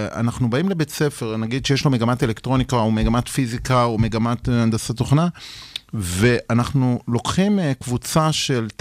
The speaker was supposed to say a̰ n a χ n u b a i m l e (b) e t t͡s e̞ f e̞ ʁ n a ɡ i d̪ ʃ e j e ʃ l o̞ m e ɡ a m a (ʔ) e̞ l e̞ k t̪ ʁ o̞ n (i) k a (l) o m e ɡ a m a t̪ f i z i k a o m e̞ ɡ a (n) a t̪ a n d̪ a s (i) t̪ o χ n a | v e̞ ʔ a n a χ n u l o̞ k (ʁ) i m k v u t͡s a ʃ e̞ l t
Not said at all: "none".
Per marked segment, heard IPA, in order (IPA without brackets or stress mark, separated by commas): b, t, i, none, m, a, χ